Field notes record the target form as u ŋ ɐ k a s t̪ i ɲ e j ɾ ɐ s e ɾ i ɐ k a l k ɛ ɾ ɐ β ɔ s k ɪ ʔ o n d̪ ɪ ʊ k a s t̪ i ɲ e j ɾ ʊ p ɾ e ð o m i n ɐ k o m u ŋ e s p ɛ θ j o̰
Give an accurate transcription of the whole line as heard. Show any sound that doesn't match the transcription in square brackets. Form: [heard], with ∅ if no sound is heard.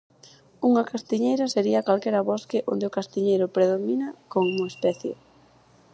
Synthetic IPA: u ŋ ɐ k a s t̪ i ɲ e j ɾ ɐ s e ɾ i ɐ k a l k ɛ ɾ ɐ β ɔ s k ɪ ʔ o n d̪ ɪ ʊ k a s t̪ i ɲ e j ɾ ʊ p ɾ e ð o m i n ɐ k o [ŋ] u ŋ e s p ɛ θ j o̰